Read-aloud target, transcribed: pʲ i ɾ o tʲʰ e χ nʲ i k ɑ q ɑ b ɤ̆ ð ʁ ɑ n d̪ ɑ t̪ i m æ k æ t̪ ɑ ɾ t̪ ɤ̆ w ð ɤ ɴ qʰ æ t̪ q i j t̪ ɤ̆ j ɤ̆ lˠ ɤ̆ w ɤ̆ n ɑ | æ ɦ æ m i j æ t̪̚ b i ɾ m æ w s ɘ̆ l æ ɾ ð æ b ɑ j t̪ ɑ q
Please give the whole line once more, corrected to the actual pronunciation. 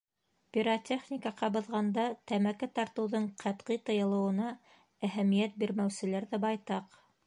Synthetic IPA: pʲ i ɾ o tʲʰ e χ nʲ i k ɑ q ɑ b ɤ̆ ð ʁ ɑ n d̪ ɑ t̪ æ m æ k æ t̪ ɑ ɾ t̪ ɤ̆ w ð ɤ ɴ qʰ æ t̪ q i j t̪ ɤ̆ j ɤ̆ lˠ ɤ̆ w ɤ̆ n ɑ | æ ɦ æ m i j æ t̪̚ b i ɾ m æ w s ɘ̆ l æ ɾ ð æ b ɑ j t̪ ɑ q

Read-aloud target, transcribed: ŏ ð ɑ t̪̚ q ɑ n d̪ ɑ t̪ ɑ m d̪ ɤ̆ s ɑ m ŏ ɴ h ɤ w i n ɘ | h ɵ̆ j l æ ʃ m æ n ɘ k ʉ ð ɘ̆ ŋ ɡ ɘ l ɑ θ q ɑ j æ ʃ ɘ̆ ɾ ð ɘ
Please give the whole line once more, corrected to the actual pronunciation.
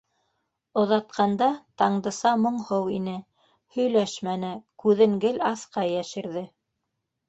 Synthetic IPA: ŏ ð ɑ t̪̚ q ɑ n d̪ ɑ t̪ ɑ ɴ d̪ ɤ̆ s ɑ m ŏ ɴ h ɤ w i n ɘ | h ɵ̆ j l æ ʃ m æ n ɘ k ʉ ð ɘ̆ ŋ ɡ ɘ l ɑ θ q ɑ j æ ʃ ɘ̆ ɾ ð ɘ

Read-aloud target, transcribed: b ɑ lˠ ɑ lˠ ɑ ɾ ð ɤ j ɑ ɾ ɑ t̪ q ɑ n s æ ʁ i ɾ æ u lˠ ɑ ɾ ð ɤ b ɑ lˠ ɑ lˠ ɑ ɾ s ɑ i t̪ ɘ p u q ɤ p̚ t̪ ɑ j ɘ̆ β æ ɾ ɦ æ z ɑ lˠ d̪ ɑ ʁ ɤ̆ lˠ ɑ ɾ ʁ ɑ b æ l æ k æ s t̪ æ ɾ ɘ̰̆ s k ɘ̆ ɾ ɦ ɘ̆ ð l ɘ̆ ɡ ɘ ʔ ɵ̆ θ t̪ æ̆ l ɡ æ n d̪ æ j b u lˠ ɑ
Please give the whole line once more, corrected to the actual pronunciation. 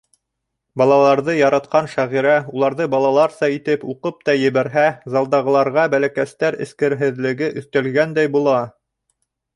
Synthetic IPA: b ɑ lˠ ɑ lˠ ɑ ɾ ð ɤ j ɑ ɾ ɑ t̪ q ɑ n ʃ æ ʁ i ɾ æ u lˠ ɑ ɾ ð ɤ b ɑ lˠ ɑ lˠ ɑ ɾ s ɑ i t̪ ɘ p u q ɤ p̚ t̪ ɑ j ɘ̆ β æ ɾ ɦ æ z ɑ lˠ d̪ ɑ ʁ ɤ̆ lˠ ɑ ɾ ʁ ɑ b æ l æ k æ s t̪ æ ɾ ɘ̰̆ s k ɘ̆ ɾ ɦ ɘ̆ ð l ɘ̆ ɡ ɘ ʔ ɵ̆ θ t̪ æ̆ l ɡ æ n d̪ æ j b u lˠ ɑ

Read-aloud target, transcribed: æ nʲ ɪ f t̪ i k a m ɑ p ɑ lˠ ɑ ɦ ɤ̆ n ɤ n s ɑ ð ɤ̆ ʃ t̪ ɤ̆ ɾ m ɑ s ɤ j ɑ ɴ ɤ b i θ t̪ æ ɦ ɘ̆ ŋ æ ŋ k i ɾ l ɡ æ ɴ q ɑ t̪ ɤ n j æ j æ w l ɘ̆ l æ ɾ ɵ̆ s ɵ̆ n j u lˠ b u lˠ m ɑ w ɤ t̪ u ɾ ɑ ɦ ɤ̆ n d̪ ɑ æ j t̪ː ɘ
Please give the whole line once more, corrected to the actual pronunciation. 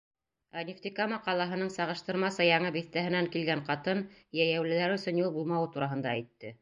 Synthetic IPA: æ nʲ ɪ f t̪ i k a m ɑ q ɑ lˠ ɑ ɦ ɤ̆ n ɤ ɴ s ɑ ʁ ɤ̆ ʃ t̪ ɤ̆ ɾ m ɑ s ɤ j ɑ ɴ ɤ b i θ t̪ æ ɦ ɘ̆ n æ ŋ k i l ɡ æ ɴ q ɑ t̪ ɤ n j æ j æ w l ɘ̆ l æ ɾ ɵ̆ s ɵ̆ n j u lˠ b u lˠ m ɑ w ɤ t̪ u ɾ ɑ ɦ ɤ̆ n d̪ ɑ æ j t̪ː ɘ

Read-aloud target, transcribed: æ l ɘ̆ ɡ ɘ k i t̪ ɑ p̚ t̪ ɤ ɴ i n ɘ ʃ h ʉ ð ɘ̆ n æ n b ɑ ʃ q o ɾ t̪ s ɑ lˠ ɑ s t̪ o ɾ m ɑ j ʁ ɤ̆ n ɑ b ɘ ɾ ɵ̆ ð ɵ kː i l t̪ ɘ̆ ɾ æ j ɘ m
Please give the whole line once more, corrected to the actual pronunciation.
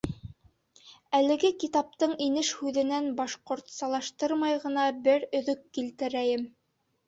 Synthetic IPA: æ l ɘ̆ ɡ ɘ k i t̪ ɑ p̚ t̪ ɤ ɴ i n ɘ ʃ h ʉ ð ɘ̆ n æ n b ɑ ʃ q o ɾ t̪ s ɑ lˠ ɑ ʃ t̪ ɤ ɾ m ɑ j ʁ ɤ̆ n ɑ b ɘ ɾ ɵ̆ ð ɵ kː i l t̪ ɘ̆ ɾ æ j ɘ m

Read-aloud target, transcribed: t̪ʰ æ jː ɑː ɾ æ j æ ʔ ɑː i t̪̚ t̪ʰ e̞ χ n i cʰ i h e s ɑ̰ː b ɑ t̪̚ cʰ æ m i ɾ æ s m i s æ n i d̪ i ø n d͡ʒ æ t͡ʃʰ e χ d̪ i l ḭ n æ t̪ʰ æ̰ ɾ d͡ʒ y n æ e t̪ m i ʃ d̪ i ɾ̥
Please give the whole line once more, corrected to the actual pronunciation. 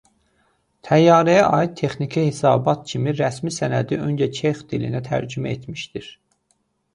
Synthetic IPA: t̪ʰ æ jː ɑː ɾ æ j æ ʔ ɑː i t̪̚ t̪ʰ e̞ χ n i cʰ i h e s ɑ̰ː b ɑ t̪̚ cʰ i m i ɾ æ s m i s æ n æ d̪ i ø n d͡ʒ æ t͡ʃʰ e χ d̪ i l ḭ n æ t̪ʰ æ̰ ɾ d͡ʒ y m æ e t̪ m i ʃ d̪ i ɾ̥

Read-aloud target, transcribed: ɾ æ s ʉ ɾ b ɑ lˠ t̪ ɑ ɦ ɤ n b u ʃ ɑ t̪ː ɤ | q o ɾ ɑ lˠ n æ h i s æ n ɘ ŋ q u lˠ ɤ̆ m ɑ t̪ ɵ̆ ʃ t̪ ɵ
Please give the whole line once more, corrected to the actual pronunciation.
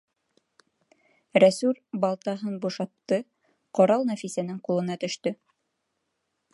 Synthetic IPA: ɾ æ s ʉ ɾ b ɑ lˠ t̪ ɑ ɦ ɤ n b u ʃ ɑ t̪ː ɤ | q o ɾ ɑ lˠ n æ f i s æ n ɘ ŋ q u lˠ ɤ̆ n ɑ t̪ ɵ̆ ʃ t̪ ɵ

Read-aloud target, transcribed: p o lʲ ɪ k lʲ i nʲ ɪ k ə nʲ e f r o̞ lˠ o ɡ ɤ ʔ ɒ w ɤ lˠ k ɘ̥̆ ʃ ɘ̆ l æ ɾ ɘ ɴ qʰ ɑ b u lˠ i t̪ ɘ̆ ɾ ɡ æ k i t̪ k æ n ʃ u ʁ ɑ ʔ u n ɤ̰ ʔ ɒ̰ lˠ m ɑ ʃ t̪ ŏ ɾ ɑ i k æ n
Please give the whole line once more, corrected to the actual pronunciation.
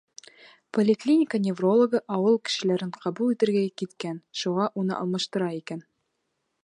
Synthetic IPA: p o lʲ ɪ k lʲ i nʲ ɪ k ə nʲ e v r o̞ lˠ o ɡ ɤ ʔ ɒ w ɤ lˠ k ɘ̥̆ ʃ ɘ̆ l æ ɾ ɘ ɴ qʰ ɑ b u lˠ i t̪ ɘ̆ ɾ ɡ æ k i t̪ k æ n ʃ u ʁ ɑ ʔ u n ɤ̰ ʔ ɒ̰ lˠ m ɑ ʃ t̪ ɤ̆ ɾ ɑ i k æ n

